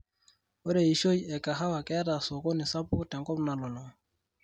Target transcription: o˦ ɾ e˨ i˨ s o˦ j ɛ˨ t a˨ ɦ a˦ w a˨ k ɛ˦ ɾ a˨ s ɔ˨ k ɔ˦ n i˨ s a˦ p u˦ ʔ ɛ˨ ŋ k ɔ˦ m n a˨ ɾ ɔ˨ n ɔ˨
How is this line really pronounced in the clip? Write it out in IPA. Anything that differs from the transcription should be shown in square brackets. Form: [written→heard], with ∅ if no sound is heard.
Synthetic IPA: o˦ ɾ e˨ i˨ [s→ʃ] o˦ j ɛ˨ [t→k] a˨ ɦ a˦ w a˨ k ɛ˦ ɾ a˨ s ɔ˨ k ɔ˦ n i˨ s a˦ p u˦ [ʔ→t] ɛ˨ ŋ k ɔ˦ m n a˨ [ɾ→l] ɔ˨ n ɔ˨